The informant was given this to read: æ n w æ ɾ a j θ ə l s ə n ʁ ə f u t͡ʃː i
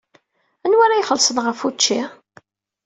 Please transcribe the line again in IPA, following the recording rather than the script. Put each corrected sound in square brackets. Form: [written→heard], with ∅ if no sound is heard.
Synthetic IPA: æ n w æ ɾ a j [θ→χ] ə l s ə n ʁ ə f u t͡ʃː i